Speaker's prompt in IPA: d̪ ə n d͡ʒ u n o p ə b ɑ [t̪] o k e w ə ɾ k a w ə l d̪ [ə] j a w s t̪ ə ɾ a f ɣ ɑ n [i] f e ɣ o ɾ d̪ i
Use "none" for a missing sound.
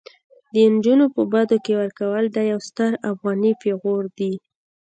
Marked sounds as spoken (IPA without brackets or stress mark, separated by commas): d̪, ɑ, i